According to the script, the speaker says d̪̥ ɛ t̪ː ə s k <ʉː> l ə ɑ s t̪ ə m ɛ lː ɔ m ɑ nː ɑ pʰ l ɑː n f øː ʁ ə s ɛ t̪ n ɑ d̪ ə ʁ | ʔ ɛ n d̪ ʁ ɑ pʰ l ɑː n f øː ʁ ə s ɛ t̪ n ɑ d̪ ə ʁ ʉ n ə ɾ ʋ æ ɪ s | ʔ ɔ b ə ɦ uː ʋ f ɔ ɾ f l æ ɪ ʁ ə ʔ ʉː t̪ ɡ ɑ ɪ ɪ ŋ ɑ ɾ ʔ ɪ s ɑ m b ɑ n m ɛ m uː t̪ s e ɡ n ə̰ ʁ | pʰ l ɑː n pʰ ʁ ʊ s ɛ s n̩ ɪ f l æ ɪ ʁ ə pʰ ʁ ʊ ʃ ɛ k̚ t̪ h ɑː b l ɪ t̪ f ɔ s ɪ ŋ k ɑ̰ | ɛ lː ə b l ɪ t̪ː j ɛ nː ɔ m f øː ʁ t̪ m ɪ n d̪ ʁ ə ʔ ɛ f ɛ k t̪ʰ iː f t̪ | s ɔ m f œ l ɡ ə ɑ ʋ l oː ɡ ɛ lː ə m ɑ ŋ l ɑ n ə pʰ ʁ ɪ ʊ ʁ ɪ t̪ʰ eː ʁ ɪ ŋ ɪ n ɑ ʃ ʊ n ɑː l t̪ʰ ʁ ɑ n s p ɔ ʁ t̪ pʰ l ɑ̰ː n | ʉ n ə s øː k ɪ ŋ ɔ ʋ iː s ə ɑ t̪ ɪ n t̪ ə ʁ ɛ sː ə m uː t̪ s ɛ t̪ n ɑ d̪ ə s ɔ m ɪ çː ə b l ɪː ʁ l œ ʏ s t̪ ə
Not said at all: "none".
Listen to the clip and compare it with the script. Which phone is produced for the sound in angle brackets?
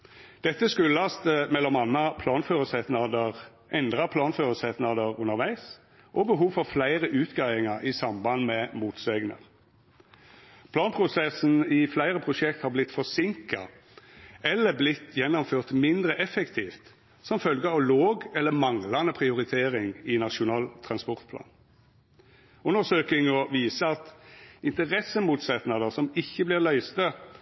ʉ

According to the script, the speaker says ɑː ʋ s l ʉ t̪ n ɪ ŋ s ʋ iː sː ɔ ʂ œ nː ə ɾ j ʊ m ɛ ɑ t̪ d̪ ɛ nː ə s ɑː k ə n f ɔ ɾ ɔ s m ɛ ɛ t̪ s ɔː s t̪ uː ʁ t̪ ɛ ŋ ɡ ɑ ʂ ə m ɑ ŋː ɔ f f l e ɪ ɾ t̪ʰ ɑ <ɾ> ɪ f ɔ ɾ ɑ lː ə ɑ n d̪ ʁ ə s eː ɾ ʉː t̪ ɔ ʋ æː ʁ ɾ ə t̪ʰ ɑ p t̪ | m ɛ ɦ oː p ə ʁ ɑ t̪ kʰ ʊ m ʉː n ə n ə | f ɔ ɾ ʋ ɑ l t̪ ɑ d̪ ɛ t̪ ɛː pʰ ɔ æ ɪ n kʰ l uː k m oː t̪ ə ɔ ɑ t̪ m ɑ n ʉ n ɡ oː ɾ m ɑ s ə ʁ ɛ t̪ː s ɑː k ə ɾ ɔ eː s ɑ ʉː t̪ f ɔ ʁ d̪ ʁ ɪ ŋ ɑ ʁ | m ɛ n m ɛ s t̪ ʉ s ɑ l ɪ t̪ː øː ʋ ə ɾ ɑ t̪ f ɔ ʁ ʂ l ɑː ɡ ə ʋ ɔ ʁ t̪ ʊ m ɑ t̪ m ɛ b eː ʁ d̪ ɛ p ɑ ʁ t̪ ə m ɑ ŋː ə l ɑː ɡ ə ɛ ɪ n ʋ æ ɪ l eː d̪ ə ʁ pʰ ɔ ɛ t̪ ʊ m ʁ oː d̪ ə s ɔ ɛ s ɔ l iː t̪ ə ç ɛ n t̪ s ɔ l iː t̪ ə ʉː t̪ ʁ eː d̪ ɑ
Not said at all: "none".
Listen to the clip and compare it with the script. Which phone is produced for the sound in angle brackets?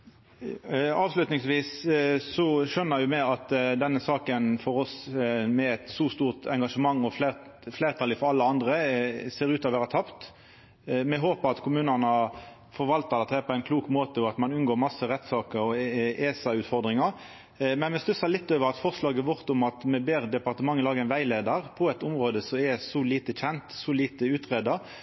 l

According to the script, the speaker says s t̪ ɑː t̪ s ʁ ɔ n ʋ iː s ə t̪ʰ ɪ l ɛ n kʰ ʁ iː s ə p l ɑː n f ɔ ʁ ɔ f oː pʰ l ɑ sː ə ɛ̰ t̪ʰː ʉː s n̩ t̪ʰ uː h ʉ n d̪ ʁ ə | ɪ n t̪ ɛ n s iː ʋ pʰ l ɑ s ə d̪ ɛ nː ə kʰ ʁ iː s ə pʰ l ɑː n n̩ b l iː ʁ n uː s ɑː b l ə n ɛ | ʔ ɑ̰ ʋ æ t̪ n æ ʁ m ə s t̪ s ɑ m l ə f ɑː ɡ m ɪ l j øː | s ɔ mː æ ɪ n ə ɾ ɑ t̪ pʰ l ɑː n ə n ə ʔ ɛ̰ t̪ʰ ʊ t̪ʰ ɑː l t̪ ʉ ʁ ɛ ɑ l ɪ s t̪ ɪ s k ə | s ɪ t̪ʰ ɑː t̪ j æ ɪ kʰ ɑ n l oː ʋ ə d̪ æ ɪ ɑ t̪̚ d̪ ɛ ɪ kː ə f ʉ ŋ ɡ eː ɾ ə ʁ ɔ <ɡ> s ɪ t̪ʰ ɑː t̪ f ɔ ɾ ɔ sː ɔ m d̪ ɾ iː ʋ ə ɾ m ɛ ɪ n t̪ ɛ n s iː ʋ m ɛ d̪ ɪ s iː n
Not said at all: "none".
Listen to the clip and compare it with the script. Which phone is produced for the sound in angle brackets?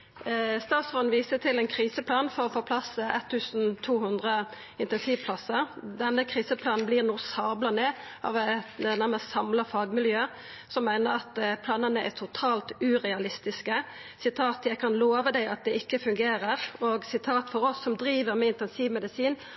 ɡ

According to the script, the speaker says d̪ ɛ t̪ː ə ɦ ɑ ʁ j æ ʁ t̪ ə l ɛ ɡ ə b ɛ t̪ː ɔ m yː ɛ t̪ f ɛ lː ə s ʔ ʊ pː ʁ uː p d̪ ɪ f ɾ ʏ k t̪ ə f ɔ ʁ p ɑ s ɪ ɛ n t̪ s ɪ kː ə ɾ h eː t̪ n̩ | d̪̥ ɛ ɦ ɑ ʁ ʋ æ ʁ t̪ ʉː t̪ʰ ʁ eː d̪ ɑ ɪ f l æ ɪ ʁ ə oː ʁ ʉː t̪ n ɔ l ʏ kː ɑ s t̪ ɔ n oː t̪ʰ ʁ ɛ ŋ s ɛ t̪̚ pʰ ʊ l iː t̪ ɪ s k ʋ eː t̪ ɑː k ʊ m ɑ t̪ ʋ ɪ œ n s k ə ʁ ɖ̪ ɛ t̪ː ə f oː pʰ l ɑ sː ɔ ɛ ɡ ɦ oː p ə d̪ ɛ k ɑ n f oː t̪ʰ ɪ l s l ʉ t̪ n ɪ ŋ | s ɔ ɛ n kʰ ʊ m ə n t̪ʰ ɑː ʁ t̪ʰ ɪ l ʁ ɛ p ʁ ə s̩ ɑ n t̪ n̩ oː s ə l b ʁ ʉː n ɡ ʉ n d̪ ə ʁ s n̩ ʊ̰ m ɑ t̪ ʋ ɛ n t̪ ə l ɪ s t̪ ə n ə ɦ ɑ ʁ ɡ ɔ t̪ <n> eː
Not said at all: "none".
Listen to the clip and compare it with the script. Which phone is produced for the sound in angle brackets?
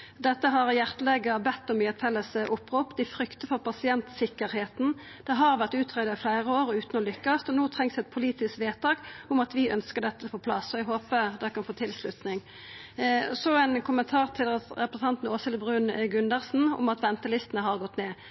n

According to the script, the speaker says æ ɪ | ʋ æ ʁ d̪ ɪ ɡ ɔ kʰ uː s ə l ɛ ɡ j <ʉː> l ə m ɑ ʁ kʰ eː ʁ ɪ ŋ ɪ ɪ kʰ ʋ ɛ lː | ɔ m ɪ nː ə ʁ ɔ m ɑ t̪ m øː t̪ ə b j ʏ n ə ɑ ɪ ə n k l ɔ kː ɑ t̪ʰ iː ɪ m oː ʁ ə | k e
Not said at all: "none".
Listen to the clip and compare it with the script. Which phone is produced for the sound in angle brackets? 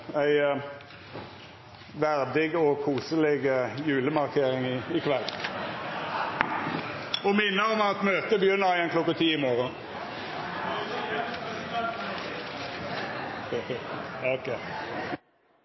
ʉː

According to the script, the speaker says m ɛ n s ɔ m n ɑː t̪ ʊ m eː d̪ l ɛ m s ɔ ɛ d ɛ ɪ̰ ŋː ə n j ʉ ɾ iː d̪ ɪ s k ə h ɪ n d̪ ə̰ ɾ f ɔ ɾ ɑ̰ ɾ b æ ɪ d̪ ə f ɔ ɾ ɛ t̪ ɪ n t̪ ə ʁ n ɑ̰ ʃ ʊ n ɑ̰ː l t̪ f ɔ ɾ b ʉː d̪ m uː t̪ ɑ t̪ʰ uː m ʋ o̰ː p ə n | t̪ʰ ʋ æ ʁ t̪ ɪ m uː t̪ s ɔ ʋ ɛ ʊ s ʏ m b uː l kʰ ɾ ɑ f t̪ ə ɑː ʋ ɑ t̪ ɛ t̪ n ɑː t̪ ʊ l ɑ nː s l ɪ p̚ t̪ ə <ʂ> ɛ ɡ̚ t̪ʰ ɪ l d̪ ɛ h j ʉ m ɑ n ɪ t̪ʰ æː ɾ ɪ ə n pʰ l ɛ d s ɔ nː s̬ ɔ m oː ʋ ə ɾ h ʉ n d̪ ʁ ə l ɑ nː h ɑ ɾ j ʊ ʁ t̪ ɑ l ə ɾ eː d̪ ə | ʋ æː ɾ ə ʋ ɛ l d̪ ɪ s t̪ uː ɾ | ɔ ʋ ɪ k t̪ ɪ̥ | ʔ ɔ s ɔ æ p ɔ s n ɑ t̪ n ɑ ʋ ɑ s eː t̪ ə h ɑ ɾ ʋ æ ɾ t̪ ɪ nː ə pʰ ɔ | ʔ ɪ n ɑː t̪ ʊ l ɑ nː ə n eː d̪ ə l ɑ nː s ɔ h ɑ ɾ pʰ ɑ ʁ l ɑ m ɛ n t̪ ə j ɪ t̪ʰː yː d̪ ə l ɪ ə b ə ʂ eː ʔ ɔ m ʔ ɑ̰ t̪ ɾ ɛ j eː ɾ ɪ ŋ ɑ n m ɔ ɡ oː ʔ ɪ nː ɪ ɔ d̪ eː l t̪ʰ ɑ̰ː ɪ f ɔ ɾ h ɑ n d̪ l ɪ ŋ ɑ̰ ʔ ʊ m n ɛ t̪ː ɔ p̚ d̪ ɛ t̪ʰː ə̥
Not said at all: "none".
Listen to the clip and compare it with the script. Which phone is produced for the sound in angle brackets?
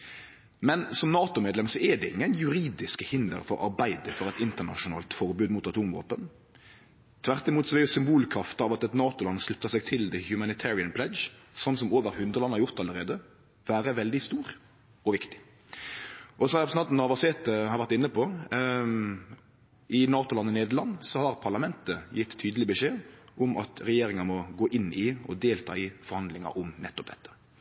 s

